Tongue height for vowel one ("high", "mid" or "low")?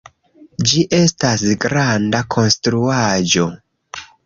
high